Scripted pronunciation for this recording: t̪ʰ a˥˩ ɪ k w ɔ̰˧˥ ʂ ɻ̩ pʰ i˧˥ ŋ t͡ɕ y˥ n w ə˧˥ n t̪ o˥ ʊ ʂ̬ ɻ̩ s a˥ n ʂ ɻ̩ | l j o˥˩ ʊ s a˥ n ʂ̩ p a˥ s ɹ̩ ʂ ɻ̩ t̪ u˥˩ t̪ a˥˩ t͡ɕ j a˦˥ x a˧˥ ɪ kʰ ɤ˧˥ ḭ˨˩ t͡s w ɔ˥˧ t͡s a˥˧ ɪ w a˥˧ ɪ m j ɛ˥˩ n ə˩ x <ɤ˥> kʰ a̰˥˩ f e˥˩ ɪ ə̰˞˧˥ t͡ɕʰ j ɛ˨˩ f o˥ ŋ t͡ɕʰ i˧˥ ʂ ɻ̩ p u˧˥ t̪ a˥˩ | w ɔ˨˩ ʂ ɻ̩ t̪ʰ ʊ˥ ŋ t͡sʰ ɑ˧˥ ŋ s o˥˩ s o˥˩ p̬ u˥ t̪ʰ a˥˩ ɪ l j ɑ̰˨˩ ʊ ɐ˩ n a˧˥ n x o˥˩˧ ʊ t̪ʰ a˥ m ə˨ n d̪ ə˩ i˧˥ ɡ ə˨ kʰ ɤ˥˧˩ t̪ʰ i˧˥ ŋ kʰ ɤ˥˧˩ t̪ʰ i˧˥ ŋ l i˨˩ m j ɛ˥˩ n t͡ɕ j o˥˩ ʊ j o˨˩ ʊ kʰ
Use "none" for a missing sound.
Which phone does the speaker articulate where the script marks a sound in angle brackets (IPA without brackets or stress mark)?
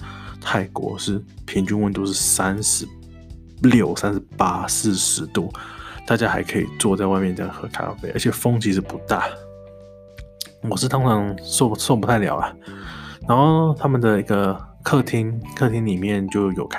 ɤ˧˥